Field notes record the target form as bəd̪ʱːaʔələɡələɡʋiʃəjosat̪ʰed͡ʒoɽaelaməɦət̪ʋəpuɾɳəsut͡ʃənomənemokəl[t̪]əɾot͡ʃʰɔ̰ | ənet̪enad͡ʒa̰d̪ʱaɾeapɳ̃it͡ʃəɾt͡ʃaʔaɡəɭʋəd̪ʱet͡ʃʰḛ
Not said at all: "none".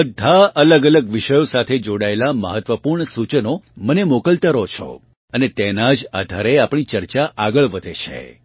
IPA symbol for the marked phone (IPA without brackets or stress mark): t̪